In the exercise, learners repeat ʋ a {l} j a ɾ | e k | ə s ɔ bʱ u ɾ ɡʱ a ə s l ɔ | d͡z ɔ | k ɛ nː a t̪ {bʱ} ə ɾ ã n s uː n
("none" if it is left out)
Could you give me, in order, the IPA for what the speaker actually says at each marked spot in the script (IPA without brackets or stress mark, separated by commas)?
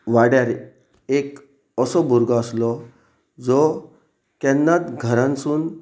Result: ɽ, ɡʱ